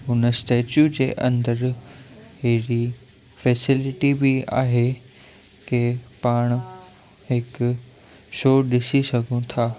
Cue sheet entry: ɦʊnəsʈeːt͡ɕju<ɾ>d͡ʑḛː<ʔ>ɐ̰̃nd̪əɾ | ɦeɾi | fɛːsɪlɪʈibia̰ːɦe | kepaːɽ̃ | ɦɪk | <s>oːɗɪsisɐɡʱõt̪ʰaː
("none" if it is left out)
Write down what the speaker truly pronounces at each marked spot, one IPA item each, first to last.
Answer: none, ʔ, ʃ

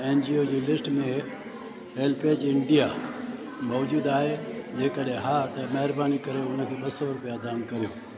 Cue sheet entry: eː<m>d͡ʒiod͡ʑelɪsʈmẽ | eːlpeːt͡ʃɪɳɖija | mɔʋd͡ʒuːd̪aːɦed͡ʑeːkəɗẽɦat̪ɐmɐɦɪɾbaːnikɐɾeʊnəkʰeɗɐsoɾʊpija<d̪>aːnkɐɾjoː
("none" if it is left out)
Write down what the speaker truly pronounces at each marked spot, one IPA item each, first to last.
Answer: n, d̪

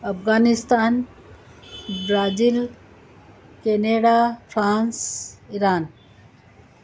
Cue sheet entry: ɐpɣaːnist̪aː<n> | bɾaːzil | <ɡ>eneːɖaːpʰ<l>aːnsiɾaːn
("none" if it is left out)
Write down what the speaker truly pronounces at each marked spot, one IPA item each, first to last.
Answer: n, k, ɾ

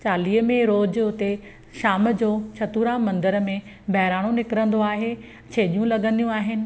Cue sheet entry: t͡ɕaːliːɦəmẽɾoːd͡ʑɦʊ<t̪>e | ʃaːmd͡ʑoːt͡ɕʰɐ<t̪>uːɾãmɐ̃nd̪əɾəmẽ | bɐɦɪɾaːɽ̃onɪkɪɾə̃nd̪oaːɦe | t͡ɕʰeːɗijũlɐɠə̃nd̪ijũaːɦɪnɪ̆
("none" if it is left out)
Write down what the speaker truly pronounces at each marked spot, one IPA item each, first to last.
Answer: t̪, t̪

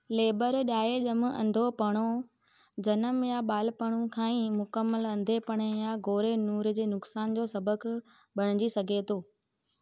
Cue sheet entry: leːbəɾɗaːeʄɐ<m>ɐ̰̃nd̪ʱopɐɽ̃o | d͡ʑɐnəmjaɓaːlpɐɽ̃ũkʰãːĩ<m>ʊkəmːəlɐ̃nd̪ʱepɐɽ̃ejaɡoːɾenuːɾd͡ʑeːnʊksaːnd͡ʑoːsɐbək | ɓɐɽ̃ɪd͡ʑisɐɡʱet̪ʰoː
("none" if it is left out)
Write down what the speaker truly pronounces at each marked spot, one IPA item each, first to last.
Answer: m, m

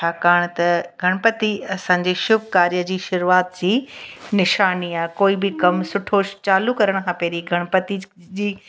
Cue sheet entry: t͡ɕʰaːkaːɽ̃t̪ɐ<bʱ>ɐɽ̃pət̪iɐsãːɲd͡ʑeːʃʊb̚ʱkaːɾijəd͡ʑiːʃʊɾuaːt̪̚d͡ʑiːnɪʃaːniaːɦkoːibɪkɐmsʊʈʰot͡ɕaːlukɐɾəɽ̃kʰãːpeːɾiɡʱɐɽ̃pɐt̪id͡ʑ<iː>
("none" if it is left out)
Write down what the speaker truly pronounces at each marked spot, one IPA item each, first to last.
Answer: ɡʱ, iː

